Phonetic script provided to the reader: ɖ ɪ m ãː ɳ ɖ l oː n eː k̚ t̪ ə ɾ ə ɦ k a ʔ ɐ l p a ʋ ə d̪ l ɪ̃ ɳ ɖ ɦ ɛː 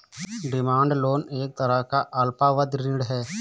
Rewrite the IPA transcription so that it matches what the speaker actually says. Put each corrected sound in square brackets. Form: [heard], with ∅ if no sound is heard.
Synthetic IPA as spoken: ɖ ɪ m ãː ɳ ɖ l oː n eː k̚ t̪ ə ɾ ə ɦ k a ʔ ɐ l p a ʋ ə d̪ [ɾ] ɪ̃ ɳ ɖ ɦ ɛː